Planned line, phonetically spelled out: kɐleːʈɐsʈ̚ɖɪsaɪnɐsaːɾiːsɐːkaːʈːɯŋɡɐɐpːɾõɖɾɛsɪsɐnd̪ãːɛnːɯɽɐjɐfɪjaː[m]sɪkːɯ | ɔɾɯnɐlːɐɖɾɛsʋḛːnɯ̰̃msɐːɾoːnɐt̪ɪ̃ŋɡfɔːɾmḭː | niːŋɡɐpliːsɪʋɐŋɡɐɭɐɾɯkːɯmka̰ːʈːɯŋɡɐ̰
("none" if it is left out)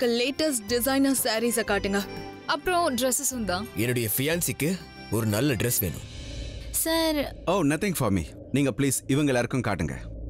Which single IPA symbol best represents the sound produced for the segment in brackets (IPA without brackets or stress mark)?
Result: n